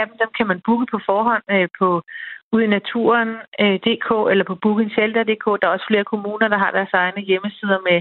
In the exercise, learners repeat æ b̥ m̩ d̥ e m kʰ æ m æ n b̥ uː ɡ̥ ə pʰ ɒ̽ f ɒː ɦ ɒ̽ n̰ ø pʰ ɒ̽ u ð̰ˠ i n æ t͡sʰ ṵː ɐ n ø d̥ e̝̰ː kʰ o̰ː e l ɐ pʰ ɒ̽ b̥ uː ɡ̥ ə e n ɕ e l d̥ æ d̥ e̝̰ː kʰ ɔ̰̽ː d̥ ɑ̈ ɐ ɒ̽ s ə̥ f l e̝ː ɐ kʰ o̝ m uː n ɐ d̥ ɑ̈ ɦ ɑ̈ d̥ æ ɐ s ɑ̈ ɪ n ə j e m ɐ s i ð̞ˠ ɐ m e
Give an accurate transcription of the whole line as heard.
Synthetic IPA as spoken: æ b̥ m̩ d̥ e m kʰ æ m æ n b̥ uː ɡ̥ ə pʰ ɒ̽ f ɒː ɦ ɒ̽ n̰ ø pʰ ɒ̽ u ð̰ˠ i n æ t͡sʰ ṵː ɐ n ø d̥ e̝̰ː kʰ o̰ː e l ɐ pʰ ɒ̽ b̥ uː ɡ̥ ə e n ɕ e l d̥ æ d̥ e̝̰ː kʰ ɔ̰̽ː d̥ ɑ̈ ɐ ɒ̽ s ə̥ f l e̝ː ɐ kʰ o̝ m uː n ɐ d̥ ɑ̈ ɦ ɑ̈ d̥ æ ɐ s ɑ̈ ɪ n ə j e m ə s i ð̞ˠ ɐ m e